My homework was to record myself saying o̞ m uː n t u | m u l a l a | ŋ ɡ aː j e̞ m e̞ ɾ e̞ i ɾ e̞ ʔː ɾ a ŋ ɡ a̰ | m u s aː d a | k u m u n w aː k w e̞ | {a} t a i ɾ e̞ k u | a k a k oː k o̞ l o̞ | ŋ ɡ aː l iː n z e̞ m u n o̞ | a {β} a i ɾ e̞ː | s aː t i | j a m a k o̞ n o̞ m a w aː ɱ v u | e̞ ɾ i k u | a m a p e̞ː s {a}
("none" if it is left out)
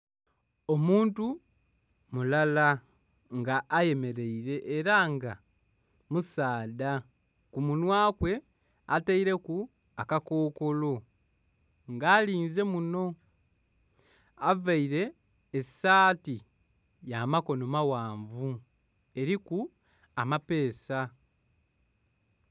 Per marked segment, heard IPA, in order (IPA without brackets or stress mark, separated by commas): a, v, a